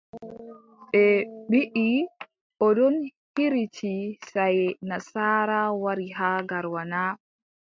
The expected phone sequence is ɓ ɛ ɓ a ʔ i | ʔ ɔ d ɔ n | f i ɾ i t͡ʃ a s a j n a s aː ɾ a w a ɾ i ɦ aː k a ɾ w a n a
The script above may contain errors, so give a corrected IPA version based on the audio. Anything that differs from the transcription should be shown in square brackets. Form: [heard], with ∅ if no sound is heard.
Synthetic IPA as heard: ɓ ɛ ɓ [i] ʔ i | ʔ ɔ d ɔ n | [h] i ɾ i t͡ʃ [i] s a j n a s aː ɾ a w a ɾ i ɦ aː [ɡ] a ɾ w a n a